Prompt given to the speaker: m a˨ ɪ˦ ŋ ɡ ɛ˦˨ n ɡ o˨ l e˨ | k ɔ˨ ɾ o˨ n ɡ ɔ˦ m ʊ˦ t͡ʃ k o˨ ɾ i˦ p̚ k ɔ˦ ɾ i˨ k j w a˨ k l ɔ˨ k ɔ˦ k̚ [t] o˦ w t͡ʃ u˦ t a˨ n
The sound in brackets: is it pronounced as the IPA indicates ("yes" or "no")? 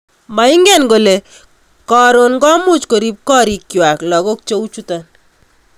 no